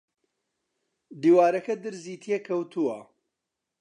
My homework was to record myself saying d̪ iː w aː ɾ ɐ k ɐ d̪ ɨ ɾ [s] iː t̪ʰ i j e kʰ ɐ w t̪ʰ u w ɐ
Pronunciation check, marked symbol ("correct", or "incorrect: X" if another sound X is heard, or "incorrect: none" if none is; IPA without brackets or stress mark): incorrect: z